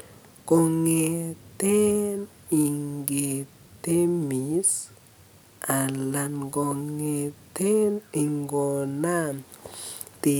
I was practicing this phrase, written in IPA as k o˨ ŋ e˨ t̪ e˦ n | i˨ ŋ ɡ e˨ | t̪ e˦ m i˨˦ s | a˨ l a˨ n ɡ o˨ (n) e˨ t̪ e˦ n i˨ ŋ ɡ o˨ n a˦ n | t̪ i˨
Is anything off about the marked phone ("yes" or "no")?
yes